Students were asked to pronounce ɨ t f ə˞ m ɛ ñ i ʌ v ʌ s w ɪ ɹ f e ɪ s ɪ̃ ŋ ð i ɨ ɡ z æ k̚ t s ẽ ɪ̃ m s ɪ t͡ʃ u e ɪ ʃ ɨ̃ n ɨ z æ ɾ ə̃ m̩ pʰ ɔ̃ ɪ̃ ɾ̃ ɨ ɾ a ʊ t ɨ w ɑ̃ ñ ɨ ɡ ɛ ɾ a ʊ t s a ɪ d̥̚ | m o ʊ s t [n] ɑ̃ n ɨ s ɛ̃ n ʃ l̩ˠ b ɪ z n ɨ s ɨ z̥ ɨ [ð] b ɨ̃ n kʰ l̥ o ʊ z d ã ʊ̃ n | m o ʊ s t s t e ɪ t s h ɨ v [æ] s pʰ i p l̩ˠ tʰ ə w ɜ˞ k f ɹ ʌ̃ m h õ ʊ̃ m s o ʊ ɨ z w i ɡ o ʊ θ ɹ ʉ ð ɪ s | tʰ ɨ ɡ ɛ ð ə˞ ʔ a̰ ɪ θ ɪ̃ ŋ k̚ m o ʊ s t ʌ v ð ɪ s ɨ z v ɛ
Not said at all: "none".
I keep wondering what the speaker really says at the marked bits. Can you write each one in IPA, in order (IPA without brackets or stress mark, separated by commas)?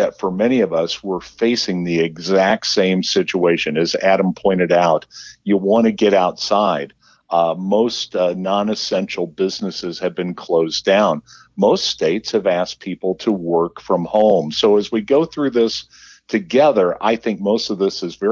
n, v, æ